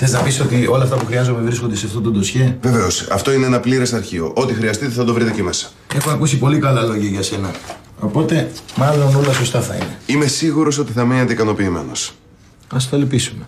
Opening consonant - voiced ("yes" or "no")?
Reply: no